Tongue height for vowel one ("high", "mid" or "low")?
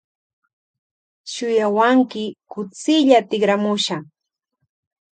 high